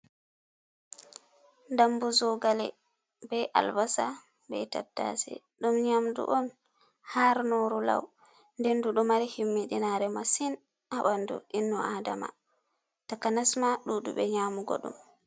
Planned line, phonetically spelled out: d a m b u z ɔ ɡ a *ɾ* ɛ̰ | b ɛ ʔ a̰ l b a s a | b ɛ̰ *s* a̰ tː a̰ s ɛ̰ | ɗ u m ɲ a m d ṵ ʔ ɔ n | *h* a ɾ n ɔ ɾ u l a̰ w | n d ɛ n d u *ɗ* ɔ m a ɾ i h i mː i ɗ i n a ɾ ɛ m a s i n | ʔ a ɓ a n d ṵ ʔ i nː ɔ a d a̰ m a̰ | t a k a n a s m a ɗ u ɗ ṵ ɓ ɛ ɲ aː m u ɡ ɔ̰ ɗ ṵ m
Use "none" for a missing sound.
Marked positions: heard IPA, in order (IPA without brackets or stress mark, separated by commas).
l, t, h, ɗ